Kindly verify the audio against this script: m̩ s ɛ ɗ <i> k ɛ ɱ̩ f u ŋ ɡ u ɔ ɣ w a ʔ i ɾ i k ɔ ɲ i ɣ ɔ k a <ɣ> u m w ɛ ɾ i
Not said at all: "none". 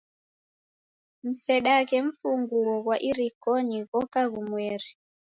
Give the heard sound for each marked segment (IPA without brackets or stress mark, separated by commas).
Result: a, ɣ